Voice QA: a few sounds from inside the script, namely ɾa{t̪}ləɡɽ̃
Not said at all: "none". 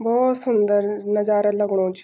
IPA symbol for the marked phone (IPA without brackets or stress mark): none